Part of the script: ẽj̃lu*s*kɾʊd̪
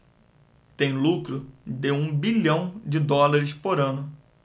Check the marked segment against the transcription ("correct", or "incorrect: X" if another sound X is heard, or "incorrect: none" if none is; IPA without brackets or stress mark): incorrect: none